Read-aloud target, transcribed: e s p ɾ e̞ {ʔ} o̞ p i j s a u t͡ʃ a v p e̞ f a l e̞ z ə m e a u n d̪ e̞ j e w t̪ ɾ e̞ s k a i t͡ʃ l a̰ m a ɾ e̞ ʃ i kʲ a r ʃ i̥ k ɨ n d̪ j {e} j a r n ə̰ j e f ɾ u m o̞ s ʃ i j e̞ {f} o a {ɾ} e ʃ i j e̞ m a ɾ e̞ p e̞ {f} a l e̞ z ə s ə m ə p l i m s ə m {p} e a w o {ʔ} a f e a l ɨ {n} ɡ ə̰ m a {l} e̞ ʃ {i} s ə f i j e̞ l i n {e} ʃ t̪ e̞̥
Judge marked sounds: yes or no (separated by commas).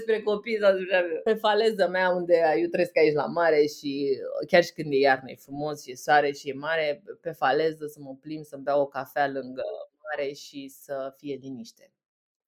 no, yes, no, yes, yes, no, no, no, no, yes, no